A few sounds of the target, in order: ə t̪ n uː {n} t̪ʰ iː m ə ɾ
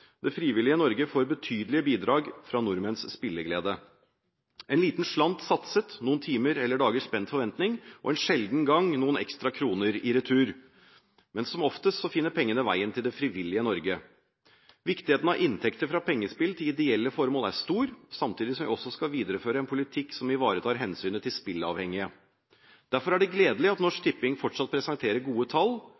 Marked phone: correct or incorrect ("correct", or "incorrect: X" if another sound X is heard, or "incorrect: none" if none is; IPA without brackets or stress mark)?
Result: correct